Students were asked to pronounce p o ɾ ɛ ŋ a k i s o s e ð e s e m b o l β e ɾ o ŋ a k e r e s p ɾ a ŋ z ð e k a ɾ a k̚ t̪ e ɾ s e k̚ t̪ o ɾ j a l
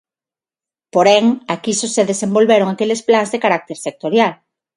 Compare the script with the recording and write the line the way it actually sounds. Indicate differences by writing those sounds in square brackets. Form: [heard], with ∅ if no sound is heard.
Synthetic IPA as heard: p o ɾ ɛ ŋ a k i s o s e ð e s e m b o l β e ɾ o ŋ a k e [l] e s p [l] a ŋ z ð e k a ɾ a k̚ t̪ e ɾ s e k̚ t̪ o ɾ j a l